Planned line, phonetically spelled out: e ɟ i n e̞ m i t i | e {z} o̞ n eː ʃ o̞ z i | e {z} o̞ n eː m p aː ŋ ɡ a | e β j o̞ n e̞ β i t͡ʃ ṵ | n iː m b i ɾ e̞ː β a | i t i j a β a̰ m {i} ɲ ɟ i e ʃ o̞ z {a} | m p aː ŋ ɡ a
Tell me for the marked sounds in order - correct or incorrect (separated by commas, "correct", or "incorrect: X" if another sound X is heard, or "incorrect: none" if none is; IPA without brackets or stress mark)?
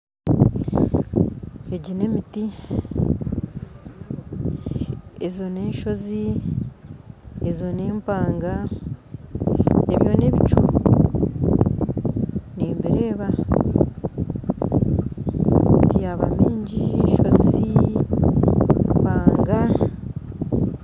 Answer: correct, correct, incorrect: iː, incorrect: i